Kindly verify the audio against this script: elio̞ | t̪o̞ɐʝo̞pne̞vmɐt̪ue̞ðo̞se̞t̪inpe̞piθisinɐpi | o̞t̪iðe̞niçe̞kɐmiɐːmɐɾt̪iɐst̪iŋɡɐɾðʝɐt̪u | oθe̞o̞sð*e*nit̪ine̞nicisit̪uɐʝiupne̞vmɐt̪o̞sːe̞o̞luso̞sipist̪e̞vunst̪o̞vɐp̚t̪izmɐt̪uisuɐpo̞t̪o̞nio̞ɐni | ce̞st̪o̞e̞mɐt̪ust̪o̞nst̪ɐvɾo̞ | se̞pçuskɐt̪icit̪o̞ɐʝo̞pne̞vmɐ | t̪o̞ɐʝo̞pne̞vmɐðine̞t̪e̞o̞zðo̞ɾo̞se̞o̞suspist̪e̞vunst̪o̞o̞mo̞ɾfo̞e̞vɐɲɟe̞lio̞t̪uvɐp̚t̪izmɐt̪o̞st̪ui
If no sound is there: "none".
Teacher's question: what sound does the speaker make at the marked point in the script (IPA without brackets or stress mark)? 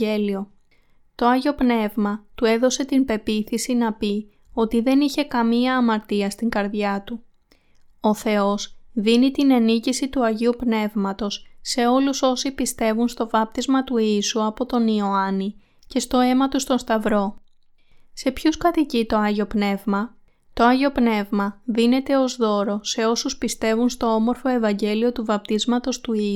i